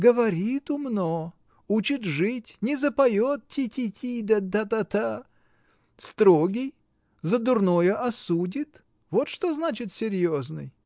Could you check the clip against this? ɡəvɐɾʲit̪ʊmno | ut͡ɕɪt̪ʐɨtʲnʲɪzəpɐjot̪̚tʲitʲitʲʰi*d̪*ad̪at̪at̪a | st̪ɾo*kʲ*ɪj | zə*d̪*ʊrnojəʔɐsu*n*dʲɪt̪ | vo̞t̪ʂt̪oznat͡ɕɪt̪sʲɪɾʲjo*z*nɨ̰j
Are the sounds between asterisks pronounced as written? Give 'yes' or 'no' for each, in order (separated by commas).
yes, no, yes, no, yes